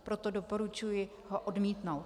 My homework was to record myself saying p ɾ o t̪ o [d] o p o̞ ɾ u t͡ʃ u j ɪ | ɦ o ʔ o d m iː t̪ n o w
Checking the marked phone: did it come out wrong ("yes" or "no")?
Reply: no